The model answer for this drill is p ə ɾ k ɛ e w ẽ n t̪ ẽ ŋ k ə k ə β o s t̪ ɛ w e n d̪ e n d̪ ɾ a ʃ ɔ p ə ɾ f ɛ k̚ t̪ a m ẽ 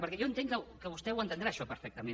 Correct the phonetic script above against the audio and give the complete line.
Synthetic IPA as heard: p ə ɾ k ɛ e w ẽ n t̪ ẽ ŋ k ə k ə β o s t̪ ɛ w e n t̪ e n d̪ ɾ a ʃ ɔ p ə ɾ f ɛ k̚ t̪ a m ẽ